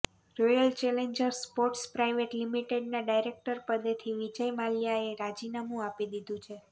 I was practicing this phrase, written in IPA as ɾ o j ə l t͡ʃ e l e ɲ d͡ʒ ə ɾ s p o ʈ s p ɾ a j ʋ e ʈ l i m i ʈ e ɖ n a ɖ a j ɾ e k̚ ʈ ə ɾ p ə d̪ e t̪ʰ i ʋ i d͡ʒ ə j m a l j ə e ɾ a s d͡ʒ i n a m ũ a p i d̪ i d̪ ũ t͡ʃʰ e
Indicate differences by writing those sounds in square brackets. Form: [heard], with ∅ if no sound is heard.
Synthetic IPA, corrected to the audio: ɾ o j ə l t͡ʃ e l e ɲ d͡ʒ ə ɾ s p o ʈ s p ɾ a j ʋ e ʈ l i m i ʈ e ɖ n a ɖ a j ɾ e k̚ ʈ ə ɾ p ə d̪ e t̪ʰ i ʋ i d͡ʒ ə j m a l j [a] e ɾ a [∅] d͡ʒ i n a m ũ a p i d̪ i d̪ ũ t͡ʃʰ e